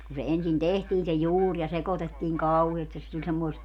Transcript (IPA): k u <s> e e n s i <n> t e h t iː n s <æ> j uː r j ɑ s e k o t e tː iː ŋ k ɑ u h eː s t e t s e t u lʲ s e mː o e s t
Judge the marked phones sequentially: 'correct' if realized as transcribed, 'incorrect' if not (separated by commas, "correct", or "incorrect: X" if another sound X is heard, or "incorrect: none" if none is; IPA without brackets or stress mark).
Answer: correct, correct, incorrect: e